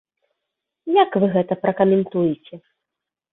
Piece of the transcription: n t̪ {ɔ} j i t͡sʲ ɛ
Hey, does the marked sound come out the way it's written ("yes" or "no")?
no